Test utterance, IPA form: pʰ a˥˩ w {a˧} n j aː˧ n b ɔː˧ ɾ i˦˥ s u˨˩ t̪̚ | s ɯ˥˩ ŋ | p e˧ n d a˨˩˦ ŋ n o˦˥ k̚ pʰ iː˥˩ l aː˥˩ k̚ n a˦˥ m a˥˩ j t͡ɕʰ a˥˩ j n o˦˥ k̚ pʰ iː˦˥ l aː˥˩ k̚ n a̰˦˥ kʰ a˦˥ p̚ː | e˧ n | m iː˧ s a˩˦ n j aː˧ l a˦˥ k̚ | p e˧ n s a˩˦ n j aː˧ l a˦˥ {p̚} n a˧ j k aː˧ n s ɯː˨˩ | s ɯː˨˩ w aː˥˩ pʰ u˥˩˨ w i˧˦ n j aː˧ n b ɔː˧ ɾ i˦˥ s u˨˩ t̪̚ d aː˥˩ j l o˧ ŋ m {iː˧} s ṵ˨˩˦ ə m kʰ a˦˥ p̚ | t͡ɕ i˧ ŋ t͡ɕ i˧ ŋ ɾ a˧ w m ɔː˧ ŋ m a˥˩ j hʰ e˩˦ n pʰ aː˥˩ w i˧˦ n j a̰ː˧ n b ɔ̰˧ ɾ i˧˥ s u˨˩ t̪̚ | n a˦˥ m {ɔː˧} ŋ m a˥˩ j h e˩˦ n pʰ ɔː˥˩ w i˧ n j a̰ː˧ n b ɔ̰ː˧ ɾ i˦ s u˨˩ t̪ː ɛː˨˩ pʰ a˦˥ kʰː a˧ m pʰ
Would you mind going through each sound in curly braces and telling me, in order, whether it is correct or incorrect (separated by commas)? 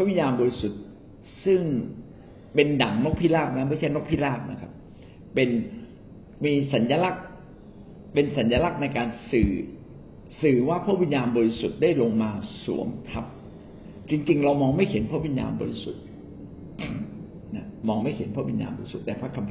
incorrect, incorrect, incorrect, correct